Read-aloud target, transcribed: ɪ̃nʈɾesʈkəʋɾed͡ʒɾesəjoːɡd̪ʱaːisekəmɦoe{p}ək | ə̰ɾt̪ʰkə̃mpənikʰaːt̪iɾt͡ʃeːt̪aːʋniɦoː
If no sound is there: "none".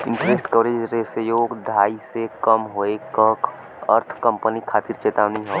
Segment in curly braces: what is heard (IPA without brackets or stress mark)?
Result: k